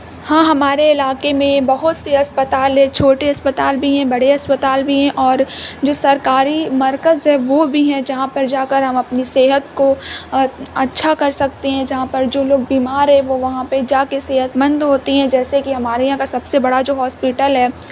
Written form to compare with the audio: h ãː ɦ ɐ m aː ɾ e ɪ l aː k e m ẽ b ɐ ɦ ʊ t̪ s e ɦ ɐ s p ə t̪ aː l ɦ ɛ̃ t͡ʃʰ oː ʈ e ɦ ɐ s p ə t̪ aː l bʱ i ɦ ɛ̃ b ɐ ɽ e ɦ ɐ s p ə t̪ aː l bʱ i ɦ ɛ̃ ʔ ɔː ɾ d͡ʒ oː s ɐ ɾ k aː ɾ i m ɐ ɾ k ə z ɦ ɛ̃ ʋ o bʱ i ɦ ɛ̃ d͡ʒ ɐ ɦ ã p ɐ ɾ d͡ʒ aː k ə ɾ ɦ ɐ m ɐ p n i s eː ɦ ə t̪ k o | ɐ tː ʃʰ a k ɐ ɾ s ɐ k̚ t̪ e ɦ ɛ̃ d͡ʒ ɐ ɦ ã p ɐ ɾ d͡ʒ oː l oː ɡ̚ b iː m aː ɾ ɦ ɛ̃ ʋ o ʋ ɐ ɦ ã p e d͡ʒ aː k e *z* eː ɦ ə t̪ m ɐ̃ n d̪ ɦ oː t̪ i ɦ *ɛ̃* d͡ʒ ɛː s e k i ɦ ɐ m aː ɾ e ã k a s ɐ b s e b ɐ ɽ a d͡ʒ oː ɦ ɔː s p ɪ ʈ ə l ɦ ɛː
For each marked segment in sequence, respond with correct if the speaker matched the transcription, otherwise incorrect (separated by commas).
incorrect, correct